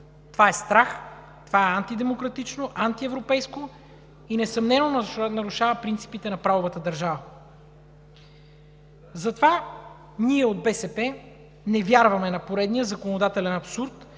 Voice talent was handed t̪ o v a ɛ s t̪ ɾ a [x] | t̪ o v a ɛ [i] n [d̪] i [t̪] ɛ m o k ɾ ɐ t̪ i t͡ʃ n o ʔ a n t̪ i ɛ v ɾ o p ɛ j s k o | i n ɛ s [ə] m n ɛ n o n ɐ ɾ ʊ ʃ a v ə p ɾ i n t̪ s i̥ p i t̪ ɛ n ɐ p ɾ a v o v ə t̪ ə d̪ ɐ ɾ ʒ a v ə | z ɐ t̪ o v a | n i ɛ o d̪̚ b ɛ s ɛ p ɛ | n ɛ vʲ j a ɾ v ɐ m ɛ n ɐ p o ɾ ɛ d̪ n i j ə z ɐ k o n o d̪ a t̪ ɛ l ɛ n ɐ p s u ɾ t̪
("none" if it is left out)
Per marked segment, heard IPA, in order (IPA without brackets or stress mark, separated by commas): x, a, t̪, d̪, ɐ